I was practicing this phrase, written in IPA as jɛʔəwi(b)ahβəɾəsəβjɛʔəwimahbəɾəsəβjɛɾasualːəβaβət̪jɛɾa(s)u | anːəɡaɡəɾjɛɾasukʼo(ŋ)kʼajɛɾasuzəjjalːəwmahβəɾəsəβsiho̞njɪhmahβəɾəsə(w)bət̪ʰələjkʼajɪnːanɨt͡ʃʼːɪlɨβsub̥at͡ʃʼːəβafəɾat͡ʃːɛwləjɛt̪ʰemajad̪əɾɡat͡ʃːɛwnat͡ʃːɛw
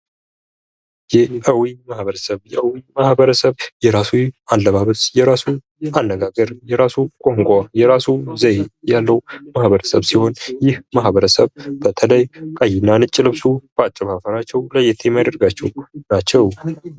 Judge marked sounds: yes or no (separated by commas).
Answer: no, yes, yes, no